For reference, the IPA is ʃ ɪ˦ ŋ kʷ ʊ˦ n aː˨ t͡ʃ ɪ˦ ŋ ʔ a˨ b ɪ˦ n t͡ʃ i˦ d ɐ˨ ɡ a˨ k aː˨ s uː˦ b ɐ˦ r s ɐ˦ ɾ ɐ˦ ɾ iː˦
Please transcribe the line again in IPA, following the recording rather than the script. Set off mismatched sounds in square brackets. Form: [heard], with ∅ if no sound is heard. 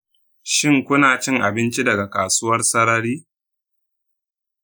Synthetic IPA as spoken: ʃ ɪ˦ ŋ kʷ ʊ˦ n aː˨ t͡ʃ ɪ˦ ŋ ʔ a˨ b ɪ˦ n t͡ʃ i˦ d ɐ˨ ɡ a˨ k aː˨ s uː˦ [w] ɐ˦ r s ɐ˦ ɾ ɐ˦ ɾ iː˦

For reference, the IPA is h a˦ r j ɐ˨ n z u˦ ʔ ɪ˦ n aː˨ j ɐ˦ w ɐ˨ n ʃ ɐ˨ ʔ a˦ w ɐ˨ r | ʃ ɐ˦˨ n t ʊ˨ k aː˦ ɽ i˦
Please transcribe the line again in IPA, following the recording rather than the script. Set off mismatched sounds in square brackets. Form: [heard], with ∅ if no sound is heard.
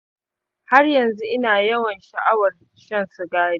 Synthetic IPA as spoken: h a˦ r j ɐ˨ n z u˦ ʔ ɪ˦ n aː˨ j ɐ˦ w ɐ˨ n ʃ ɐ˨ ʔ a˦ w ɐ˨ r | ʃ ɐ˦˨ n [s] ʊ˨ [ɡ] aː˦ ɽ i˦

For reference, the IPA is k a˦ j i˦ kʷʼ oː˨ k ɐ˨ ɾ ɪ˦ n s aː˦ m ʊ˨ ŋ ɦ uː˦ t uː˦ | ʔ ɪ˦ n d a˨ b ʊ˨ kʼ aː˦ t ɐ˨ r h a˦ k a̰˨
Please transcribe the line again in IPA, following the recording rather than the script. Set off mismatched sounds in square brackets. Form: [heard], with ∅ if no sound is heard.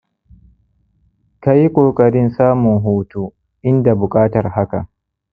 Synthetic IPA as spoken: k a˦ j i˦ kʷʼ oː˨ [kʼ] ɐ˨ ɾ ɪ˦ n s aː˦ m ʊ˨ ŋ ɦ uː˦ t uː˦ | ʔ ɪ˦ n d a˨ b ʊ˨ kʼ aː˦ t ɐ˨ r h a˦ k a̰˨

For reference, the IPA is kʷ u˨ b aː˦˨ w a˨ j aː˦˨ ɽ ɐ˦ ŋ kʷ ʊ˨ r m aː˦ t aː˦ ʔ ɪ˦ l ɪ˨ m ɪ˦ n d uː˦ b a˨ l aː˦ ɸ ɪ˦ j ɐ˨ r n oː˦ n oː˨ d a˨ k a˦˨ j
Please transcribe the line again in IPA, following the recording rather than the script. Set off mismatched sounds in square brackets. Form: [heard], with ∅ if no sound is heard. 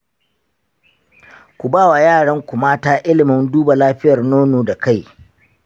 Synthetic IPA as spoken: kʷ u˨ b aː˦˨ w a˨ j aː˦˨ ɽ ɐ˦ ŋ kʷ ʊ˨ [∅] m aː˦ t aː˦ ʔ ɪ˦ l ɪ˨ m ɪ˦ n d uː˦ b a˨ l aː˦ ɸ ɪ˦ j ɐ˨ r n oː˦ n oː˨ d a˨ k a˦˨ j

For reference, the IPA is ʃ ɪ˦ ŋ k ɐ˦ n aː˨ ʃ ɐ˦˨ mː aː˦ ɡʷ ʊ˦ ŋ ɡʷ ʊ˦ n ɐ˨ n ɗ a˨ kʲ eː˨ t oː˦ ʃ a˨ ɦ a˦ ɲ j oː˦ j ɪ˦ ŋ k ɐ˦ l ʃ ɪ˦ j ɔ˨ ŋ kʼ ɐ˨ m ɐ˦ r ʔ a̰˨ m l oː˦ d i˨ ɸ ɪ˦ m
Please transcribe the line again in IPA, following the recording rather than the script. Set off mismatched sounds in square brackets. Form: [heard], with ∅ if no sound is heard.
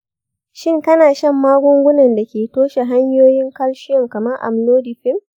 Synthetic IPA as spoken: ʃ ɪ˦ ŋ k ɐ˦ n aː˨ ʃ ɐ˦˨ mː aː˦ ɡʷ ʊ˦ ŋ ɡʷ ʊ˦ n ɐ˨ n [d] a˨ kʲ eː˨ t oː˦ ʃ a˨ ɦ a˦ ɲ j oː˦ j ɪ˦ ŋ k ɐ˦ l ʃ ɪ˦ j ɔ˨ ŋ [k] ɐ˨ m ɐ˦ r ʔ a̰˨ m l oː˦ d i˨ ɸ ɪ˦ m

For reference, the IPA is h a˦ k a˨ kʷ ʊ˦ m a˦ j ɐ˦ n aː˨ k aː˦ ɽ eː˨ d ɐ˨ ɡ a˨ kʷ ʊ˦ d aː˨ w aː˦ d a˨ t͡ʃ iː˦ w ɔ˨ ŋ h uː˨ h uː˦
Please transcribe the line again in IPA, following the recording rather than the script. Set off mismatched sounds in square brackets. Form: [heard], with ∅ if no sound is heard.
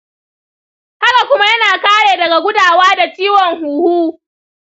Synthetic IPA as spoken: h a˦ k a˨ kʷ ʊ˦ m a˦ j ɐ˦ n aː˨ k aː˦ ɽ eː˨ d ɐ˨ ɡ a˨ [ɡʷ] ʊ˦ d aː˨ w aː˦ d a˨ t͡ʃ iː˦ w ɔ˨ ŋ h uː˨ h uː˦

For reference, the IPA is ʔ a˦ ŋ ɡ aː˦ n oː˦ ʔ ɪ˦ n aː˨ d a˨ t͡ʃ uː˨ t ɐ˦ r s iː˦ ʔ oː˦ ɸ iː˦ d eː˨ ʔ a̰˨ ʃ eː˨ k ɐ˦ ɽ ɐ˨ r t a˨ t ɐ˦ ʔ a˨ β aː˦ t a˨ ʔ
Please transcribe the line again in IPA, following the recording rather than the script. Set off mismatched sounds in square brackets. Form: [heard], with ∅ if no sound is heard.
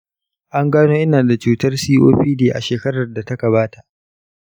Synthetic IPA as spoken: ʔ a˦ ŋ ɡ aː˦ n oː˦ ʔ ɪ˦ n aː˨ d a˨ t͡ʃ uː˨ t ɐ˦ r s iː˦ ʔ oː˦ ɸ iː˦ d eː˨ ʔ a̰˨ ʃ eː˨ k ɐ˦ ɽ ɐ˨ r [d] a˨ t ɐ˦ [k] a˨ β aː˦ t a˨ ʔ

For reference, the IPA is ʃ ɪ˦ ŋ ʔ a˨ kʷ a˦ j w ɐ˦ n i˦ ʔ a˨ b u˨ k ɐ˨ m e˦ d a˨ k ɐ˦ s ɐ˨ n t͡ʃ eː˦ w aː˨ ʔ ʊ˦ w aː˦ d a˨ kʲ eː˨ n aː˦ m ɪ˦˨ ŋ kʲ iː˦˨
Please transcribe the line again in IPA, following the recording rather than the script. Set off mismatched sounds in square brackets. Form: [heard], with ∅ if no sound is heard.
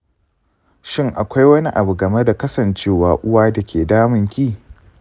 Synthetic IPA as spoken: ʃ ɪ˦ ŋ ʔ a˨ kʷ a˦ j w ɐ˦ n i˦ ʔ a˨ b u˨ [ɡ] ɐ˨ m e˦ d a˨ k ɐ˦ s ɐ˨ n t͡ʃ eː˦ w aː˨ ʔ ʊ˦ w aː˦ d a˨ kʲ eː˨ [d] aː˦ m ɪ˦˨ ŋ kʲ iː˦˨

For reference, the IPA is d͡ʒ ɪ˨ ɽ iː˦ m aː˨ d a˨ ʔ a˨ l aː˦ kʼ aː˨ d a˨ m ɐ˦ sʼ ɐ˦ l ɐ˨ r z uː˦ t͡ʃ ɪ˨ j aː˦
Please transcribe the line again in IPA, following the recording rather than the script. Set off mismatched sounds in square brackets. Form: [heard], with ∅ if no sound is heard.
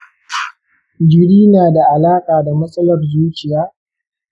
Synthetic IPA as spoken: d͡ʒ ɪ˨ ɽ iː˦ [n] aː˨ d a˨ ʔ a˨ l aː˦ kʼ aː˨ d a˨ m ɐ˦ sʼ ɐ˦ l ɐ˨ r z uː˦ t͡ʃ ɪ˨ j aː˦

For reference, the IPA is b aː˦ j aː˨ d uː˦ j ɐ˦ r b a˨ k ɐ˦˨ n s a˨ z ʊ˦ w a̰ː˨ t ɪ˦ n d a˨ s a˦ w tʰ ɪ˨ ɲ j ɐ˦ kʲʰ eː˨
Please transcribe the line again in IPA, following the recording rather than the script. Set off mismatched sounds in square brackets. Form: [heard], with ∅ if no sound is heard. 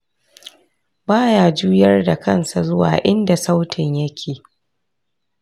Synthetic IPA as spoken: b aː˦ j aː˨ [d͡ʒ] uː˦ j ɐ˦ r [d] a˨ k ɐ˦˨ n s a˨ z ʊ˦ w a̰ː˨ [ʔ] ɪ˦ n d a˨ s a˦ w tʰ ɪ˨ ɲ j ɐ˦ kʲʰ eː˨

